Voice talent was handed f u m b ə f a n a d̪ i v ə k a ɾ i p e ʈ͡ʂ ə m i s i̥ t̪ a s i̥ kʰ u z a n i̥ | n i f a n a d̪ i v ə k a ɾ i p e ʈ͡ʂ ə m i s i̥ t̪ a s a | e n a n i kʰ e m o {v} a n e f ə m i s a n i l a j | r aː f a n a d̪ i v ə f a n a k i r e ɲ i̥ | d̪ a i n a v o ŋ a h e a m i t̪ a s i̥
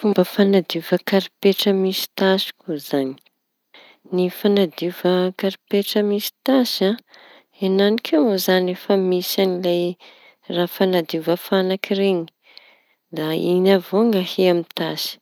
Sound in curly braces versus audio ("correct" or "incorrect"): incorrect